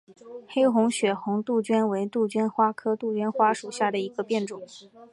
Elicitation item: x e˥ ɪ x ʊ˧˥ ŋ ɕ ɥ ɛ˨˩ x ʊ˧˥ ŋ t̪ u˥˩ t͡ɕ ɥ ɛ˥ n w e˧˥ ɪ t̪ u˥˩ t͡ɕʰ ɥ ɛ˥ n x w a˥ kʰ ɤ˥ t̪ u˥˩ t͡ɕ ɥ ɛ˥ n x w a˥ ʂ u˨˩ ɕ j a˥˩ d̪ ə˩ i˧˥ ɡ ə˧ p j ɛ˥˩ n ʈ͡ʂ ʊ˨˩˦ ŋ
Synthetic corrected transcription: x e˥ ɪ x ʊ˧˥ ŋ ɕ ɥ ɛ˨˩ x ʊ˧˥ ŋ t̪ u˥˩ t͡ɕ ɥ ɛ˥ n w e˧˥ ɪ t̪ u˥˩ t͡ɕ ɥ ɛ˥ n x w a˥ kʰ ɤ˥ t̪ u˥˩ t͡ɕ ɥ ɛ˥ n x w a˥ ʂ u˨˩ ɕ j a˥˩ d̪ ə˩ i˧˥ ɡ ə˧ p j ɛ˥˩ n ʈ͡ʂ ʊ˨˩˦ ŋ